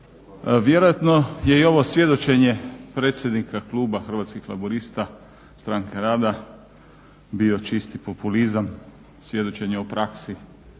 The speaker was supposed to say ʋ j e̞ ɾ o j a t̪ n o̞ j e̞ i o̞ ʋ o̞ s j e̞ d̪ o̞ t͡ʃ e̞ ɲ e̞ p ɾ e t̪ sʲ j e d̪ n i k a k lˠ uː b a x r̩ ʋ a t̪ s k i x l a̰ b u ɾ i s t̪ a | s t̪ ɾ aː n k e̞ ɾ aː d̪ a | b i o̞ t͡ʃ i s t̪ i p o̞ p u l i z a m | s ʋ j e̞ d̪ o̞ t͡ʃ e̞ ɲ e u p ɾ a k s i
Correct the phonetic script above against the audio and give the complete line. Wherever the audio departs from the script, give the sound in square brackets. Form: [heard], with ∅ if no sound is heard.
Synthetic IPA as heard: ʋ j e̞ ɾ o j a t̪ n o̞ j e̞ i o̞ ʋ o̞ s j e̞ d̪ o̞ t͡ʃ e̞ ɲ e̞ p ɾ e t̪ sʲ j e d̪ n i k a k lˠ uː b a x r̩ ʋ a t̪ s k i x l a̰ b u ɾ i s t̪ a | s t̪ ɾ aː [ŋ] k e̞ ɾ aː d̪ a | b i o̞ t͡ʃ i s t̪ i p o̞ p u l i z a m | s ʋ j e̞ d̪ o̞ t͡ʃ e̞ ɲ e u p ɾ a k s i